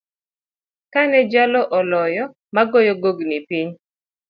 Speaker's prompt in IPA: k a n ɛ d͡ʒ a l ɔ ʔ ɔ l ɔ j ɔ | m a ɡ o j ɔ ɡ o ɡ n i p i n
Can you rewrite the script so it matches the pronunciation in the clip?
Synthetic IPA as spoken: k a n ɛ d͡ʒ a l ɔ ʔ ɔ l ɔ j ɔ | m a ɡ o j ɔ ɡ o ɡ n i p i ɲ